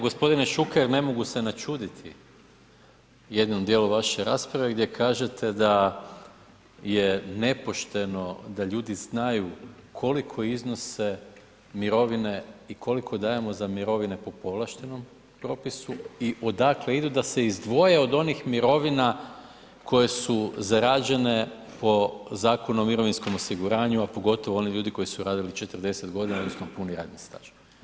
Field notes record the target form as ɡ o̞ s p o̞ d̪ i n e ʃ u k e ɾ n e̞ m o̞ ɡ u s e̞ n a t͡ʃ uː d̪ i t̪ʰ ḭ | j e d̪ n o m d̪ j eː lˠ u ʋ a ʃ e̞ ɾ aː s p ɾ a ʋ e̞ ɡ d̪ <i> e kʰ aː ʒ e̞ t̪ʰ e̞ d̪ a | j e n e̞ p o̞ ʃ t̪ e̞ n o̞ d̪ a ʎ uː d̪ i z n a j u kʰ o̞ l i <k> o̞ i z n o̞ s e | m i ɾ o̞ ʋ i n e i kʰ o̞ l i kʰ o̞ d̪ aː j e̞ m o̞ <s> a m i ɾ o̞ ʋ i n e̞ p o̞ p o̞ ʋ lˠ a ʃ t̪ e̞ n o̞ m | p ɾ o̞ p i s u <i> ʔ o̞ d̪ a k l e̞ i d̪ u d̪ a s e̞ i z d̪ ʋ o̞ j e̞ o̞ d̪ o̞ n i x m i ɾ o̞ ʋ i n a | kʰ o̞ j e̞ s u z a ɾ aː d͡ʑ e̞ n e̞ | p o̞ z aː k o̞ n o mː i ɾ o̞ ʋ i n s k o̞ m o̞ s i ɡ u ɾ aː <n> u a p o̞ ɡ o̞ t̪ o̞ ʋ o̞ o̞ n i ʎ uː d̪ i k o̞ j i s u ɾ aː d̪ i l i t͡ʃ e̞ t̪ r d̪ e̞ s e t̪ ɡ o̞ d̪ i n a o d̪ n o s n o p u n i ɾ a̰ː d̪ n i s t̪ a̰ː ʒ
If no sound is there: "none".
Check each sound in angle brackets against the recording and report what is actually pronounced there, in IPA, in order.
j, kʰ, z, i, ɲ

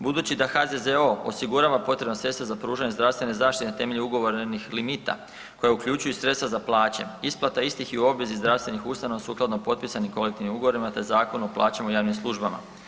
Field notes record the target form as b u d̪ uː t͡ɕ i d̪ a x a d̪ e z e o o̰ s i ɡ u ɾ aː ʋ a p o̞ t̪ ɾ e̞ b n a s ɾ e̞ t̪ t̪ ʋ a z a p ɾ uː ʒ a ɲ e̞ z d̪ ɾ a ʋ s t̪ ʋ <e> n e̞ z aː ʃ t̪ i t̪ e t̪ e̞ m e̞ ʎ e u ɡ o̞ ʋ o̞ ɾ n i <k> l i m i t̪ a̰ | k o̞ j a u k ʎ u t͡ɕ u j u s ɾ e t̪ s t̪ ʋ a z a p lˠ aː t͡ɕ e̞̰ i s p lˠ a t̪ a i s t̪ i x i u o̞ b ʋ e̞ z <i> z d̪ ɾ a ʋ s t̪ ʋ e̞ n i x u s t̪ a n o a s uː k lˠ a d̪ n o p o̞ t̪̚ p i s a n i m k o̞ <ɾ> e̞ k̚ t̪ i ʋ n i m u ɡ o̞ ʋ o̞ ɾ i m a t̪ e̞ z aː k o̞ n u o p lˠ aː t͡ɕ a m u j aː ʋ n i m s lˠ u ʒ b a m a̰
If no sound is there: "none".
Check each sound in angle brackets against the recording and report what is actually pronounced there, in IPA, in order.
e, x, i, l

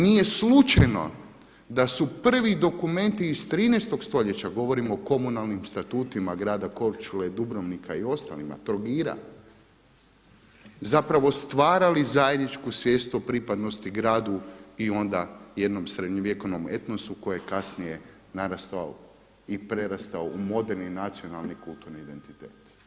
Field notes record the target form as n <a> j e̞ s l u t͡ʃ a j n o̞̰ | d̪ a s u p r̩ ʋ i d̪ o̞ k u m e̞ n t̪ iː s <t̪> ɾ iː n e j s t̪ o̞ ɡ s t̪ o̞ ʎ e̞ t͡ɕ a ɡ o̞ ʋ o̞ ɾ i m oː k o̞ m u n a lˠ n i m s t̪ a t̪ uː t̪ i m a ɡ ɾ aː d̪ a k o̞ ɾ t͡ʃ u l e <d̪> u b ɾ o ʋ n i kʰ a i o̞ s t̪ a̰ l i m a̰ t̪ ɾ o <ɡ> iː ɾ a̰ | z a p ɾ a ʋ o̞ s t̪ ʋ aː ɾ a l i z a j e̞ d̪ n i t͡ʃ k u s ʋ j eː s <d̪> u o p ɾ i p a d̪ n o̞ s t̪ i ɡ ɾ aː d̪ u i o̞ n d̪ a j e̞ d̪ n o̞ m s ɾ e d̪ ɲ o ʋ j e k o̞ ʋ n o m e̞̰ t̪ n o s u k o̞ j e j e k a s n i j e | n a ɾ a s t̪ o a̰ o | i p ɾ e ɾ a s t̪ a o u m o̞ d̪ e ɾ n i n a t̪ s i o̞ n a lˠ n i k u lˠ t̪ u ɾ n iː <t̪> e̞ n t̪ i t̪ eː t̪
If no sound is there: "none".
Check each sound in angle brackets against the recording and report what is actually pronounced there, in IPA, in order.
i, t̪, d̪, ɡ, t̪, d̪

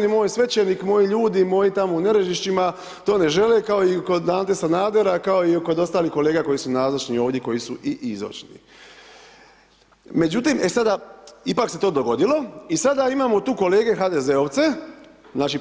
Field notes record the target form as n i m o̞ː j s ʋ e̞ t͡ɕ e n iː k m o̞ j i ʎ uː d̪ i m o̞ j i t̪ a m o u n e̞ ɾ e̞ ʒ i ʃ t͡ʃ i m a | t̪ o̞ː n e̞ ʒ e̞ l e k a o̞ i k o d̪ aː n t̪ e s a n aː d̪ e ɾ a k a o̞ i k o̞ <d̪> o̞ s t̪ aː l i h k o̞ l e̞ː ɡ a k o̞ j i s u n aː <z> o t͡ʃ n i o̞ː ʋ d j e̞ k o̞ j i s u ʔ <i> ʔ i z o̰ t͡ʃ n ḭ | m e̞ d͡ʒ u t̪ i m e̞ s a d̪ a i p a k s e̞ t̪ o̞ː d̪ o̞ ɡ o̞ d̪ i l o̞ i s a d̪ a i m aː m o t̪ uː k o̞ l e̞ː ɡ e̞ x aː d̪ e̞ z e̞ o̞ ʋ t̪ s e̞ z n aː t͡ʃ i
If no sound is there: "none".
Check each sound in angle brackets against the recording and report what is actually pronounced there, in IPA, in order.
d̪, z, i

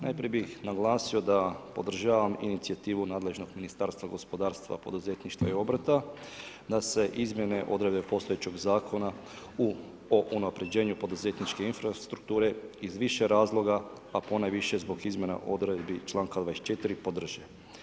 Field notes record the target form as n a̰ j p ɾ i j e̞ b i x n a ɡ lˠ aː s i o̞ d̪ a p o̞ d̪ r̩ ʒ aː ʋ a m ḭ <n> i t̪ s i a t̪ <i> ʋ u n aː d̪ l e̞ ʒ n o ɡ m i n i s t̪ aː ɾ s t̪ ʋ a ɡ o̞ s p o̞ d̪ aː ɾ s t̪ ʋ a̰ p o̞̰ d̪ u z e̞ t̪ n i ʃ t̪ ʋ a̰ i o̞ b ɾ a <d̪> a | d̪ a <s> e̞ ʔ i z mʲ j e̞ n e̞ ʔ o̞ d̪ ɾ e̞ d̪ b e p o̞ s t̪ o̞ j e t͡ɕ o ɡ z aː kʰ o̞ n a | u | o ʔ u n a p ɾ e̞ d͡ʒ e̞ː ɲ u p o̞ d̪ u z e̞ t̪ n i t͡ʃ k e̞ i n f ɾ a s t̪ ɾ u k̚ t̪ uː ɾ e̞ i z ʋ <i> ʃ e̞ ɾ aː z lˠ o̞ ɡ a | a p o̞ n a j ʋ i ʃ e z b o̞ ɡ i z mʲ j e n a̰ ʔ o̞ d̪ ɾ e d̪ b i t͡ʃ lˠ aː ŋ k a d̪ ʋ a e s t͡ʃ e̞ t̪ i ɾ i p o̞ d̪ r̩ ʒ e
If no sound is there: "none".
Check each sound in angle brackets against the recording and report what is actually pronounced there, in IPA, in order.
n, iː, t̪, s, i

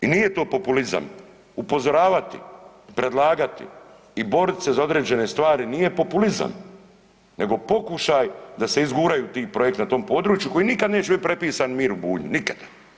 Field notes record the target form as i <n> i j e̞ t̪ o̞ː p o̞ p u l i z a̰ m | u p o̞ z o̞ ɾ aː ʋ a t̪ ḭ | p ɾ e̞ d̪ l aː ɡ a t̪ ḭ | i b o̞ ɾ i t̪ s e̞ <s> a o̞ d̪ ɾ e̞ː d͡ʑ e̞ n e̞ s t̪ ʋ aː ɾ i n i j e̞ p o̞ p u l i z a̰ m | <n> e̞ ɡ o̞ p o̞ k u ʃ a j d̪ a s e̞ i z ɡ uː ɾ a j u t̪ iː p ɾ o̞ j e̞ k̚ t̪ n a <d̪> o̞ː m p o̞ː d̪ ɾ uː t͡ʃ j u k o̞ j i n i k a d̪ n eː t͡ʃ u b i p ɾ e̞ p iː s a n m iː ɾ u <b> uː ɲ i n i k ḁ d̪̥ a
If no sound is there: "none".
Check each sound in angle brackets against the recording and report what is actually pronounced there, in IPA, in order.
n, z, n, t̪, b

